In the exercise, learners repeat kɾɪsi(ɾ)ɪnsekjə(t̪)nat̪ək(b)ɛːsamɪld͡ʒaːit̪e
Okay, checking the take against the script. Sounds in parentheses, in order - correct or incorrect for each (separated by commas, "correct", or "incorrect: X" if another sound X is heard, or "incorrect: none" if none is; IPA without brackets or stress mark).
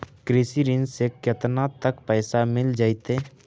correct, correct, incorrect: p